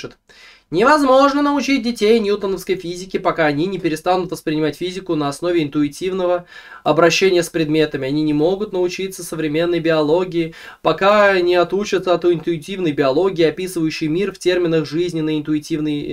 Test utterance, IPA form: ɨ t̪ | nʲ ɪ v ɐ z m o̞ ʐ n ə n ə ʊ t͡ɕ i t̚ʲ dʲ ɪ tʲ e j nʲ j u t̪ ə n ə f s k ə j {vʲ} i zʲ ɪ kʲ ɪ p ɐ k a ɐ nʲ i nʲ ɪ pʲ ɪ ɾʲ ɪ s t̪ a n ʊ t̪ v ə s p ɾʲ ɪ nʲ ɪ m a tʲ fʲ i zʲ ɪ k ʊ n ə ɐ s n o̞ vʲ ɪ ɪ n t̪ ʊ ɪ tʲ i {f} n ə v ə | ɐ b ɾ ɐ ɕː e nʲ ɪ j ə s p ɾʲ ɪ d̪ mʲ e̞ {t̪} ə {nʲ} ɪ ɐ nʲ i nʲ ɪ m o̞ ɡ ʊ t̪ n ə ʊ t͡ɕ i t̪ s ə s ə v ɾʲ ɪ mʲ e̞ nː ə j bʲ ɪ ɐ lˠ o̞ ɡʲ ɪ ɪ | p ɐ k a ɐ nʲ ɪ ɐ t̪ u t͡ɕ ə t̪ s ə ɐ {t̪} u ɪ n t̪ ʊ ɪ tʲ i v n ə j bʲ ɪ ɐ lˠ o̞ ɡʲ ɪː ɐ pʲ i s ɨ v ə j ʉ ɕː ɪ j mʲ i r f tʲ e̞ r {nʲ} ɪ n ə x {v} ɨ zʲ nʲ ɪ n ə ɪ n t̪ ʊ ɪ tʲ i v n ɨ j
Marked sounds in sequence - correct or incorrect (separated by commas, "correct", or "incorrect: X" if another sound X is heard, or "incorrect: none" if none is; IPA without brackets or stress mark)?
incorrect: fʲ, incorrect: v, correct, incorrect: mʲ, correct, incorrect: mʲ, incorrect: ʐ